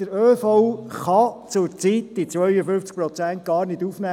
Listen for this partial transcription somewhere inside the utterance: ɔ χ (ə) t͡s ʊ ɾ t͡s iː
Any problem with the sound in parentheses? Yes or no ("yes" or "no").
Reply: yes